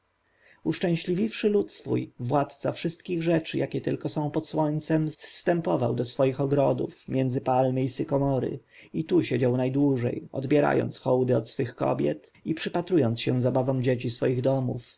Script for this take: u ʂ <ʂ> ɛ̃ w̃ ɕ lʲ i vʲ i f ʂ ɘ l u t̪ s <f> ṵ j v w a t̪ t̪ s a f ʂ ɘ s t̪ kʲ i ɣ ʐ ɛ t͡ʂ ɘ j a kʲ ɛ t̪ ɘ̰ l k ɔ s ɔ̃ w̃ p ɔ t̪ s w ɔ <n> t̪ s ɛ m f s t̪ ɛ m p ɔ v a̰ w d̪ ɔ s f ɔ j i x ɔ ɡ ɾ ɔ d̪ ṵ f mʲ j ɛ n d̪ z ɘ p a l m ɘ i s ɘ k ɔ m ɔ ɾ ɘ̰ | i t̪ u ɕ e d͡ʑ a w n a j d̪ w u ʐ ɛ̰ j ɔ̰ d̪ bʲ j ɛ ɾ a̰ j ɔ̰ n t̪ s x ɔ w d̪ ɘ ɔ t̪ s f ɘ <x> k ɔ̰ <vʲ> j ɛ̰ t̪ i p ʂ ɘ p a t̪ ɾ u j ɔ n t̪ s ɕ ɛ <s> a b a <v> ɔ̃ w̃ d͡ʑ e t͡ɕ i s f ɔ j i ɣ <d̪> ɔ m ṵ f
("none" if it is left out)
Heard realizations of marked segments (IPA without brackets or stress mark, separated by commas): t͡ʂ, f, ɲ, x, bʲ, z, v, d̪